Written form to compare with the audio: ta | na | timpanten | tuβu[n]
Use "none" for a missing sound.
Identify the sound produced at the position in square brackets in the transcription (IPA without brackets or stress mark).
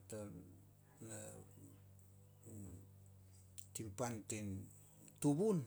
n